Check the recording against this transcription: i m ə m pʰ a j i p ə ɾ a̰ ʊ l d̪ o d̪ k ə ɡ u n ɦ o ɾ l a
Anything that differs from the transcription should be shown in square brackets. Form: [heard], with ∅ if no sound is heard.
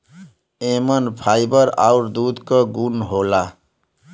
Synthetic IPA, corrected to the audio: [e] m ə [n] pʰ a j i [b] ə ɾ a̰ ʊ [ɾ] d̪ [u] d̪ k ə ɡ u n ɦ o [∅] l a